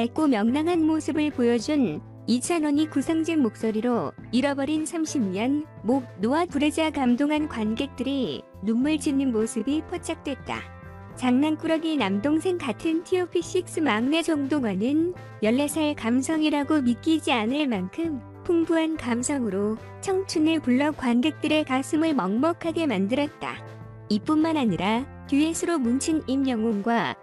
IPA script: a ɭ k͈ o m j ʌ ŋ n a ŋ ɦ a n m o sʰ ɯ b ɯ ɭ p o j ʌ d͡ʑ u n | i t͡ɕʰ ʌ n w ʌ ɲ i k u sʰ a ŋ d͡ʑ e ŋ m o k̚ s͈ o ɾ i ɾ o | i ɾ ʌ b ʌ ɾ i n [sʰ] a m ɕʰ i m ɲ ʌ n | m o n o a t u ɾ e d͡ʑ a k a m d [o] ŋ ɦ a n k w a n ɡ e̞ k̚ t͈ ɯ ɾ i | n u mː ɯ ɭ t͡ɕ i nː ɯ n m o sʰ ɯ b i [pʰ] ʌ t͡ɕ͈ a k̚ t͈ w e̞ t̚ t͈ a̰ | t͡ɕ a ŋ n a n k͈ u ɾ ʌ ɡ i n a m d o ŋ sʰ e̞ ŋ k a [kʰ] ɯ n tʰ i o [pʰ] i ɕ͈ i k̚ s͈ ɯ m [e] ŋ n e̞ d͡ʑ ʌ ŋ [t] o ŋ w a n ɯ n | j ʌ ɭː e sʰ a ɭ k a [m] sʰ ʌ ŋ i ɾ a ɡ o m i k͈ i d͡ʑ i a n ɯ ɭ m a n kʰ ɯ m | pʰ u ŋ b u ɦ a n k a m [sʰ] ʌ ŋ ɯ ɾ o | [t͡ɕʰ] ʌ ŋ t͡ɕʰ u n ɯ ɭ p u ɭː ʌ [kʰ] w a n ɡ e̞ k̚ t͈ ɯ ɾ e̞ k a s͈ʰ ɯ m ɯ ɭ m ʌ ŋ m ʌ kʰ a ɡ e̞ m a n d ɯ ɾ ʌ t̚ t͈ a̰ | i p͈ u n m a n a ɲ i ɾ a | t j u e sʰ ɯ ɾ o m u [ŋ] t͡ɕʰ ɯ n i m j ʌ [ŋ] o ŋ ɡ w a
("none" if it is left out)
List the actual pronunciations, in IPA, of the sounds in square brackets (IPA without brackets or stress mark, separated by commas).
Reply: sʰ, o, pʰ, tʰ, pʰ, a, d, m, sʰ, t͡ɕʰ, k, n, ŋ